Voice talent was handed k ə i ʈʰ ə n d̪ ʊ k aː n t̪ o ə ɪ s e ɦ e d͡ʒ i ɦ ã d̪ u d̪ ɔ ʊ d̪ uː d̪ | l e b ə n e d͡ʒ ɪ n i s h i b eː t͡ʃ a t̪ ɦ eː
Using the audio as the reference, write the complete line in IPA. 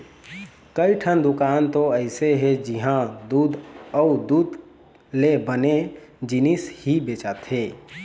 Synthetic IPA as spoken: k ə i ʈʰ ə n d̪ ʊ k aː n t̪ o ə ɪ s e ɦ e d͡ʒ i ɦ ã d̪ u d̪ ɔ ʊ d̪ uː d̪ | l e b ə n e d͡ʒ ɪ n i s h i b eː t͡ʃ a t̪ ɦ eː